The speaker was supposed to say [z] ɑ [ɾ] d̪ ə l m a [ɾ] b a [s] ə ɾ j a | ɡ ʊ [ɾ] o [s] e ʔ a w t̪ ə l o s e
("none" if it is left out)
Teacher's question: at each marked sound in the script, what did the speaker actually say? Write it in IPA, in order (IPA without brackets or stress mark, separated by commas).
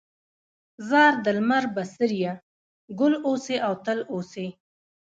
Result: z, ɾ, ɾ, s, l, s